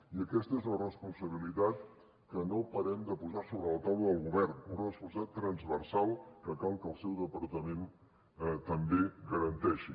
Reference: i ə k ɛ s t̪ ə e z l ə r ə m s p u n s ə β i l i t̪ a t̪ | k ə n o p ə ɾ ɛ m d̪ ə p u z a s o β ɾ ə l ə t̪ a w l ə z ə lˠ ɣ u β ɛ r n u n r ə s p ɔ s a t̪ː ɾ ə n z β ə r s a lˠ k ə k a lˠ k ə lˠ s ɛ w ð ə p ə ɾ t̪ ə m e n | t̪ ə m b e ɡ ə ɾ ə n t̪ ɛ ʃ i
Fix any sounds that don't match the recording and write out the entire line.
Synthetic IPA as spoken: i ə k ɛ s t̪ ə e z l ə r ə s p u n s ə β i l i t̪ a t̪ | k ə n o p ə ɾ ɛ m d̪ ə p u z a s o β ɾ ə l ə t̪ a w l ə ð ə lˠ ɣ u β ɛ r n u n r ə s p u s a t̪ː ɾ ə n z β ə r s a lˠ k ə k a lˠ k ə lˠ s ɛ w ð ə p ə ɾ t̪ ə m e n | t̪ ə m b e ɡ ə ɾ ə n t̪ ɛ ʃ i